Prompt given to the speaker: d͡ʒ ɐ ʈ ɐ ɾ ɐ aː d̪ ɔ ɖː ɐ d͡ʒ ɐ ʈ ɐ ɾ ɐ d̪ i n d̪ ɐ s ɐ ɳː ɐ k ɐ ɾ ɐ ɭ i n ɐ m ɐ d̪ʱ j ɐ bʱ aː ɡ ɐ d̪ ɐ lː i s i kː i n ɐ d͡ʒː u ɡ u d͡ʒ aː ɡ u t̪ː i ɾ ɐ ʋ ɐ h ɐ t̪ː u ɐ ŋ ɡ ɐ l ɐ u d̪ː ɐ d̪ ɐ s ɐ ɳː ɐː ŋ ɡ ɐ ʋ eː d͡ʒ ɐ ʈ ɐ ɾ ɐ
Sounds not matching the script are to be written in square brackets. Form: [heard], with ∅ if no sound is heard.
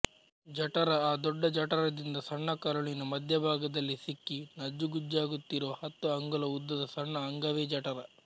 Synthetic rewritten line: d͡ʒ ɐ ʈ ɐ ɾ ɐ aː d̪ ɔ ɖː ɐ d͡ʒ ɐ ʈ ɐ ɾ ɐ d̪ i n d̪ ɐ s ɐ ɳː ɐ k ɐ ɾ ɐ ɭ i n ɐ m ɐ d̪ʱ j ɐ bʱ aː ɡ ɐ d̪ ɐ lː i s i kː i n ɐ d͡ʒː u ɡ u d͡ʒ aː ɡ u t̪ː i ɾ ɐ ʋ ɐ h ɐ t̪ː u ɐ ŋ ɡ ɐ l ɐ u d̪ː ɐ d̪ ɐ s ɐ ɳː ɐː ŋ ɡ ɐ ʋ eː d͡ʒ ɐ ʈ ɐ ɾ ɐ